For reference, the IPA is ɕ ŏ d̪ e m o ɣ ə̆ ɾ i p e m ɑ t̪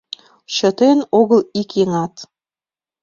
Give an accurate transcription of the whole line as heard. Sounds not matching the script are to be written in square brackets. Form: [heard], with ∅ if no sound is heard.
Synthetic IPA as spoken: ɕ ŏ [t̪] e [n] o ɣ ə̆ [l] i [k] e [ŋ] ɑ t̪